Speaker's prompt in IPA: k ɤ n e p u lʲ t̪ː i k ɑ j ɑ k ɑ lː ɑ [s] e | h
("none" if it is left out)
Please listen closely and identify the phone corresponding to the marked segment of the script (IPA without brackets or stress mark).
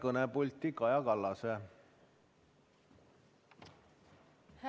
s